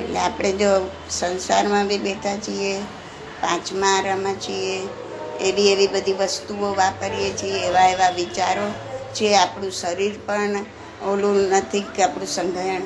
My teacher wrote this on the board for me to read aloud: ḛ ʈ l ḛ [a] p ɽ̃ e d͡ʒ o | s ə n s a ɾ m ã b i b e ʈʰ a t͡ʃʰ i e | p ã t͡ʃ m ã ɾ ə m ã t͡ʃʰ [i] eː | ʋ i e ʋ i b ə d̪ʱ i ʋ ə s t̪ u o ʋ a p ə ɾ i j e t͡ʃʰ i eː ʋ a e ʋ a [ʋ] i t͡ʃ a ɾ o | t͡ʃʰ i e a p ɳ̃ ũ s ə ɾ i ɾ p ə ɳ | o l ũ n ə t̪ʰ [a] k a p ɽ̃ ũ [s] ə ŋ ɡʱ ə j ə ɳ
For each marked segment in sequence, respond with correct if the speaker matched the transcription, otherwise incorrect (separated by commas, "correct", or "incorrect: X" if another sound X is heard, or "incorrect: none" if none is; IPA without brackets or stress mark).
correct, correct, correct, incorrect: i, correct